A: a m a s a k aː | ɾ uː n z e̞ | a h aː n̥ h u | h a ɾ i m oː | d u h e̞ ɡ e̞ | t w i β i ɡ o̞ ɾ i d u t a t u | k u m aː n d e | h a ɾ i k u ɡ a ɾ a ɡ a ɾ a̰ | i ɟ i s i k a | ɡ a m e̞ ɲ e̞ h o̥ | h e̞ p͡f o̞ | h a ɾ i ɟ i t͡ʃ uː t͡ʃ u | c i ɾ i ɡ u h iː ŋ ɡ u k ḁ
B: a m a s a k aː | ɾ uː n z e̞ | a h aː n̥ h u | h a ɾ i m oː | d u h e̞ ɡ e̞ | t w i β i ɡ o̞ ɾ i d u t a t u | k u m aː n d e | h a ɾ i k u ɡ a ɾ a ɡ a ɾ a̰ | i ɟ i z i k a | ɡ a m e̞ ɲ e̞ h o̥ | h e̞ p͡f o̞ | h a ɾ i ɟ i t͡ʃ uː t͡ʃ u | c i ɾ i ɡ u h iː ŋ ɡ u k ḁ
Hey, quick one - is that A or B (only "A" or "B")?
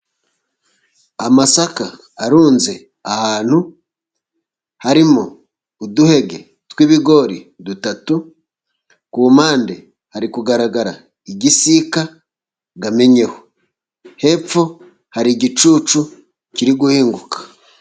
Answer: A